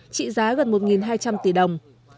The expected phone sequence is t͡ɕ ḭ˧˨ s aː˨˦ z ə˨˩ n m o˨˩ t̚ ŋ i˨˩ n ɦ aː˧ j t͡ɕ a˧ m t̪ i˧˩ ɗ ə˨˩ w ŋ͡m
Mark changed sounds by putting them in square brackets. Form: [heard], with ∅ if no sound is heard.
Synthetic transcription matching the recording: t͡ɕ ḭ˧˨ [z] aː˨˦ [ɣ] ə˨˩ n m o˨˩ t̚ ŋ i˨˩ n ɦ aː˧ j t͡ɕ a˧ m t̪ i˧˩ ɗ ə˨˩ w ŋ͡m

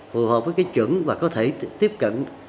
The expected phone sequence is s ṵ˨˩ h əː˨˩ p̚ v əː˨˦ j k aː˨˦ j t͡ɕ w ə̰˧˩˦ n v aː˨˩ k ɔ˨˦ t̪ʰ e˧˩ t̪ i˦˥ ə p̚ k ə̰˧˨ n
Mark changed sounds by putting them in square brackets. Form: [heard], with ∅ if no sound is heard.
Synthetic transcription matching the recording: [f] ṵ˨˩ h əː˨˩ p̚ v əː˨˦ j k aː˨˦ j t͡ɕ w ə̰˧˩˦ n v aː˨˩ k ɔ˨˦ t̪ʰ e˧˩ t̪ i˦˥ ə p̚ k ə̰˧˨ n

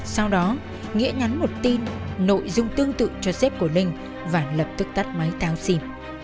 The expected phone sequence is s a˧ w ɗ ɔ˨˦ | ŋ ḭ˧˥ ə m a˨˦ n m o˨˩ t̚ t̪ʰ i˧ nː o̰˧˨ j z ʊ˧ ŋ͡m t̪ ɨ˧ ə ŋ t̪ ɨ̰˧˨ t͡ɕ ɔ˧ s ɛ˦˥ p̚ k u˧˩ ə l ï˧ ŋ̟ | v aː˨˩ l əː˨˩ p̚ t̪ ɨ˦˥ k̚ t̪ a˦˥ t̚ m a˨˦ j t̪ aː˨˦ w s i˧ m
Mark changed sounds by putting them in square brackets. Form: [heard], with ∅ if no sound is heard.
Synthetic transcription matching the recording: s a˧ w ɗ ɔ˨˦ | ŋ ḭ˧˥ ə [ɲ] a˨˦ n m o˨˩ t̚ [t̪] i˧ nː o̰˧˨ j z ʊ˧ ŋ͡m t̪ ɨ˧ ə ŋ t̪ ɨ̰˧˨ t͡ɕ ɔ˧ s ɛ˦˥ p̚ k u˧˩ ə l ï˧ ŋ̟ | v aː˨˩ l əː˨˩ p̚ t̪ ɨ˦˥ k̚ t̪ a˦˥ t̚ m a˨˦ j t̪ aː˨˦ w s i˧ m

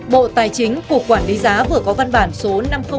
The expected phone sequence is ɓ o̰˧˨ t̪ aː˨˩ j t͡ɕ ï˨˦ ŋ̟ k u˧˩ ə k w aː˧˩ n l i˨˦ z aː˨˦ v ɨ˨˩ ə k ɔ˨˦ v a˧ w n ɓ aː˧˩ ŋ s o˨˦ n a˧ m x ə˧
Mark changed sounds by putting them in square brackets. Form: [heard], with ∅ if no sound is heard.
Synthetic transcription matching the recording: ɓ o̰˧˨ t̪ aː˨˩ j t͡ɕ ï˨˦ ŋ̟ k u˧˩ ə k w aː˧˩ n l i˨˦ z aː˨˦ v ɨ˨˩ ə k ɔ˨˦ v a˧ [∅] n ɓ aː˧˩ [n] s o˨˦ n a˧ m x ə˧

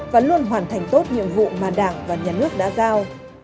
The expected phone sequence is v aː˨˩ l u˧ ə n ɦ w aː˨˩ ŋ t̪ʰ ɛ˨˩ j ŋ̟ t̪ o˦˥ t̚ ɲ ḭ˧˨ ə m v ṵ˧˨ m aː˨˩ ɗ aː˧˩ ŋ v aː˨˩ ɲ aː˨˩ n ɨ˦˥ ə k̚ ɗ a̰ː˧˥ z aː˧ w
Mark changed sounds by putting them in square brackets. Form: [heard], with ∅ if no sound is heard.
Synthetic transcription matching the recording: v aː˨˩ l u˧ ə n ɦ w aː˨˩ [n] t̪ʰ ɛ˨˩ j ŋ̟ t̪ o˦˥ t̚ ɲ ḭ˧˨ ə m v ṵ˧˨ m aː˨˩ ɗ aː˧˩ ŋ v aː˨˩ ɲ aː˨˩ n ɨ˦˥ ə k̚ ɗ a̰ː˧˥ z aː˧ w

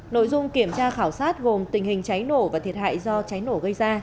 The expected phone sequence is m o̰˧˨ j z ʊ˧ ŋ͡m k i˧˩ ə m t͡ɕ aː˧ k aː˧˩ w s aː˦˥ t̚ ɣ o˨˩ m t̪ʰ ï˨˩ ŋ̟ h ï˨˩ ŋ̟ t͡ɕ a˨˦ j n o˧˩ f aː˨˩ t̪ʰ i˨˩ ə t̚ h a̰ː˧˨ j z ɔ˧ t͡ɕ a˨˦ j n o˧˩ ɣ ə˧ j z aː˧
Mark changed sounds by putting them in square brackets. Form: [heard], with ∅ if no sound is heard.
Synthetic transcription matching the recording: [n] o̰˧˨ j z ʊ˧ ŋ͡m k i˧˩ ə m t͡ɕ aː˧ [x] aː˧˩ w s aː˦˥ t̚ ɣ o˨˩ m [t̪] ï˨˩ ŋ̟ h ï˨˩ ŋ̟ t͡ɕ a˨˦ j n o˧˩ [v] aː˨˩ t̪ʰ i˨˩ ə t̚ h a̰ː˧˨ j z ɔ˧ t͡ɕ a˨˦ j n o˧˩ ɣ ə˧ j z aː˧

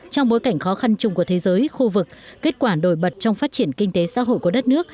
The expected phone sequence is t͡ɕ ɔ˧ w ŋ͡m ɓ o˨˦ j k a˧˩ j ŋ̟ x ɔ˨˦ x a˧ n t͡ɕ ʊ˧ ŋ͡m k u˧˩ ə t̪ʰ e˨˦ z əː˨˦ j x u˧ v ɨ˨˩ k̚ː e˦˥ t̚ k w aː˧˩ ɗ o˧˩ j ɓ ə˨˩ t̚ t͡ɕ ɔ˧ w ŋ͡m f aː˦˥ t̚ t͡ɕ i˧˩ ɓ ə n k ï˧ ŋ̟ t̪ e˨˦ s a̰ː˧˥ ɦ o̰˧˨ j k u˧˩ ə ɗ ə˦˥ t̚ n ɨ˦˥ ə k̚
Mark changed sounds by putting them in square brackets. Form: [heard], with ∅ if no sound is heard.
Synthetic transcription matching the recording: t͡ɕ ɔ˧ w ŋ͡m ɓ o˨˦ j k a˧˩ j ŋ̟ x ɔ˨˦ x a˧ n t͡ɕ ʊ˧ ŋ͡m k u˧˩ ə t̪ʰ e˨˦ z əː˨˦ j x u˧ v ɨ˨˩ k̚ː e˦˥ t̚ k w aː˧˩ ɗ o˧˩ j ɓ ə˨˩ t̚ t͡ɕ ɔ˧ w ŋ͡m f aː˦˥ t̚ t͡ɕ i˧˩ [∅] ə n k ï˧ ŋ̟ t̪ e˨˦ s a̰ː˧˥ ɦ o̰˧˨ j k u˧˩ ə ɗ ə˦˥ t̚ n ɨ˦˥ ə k̚

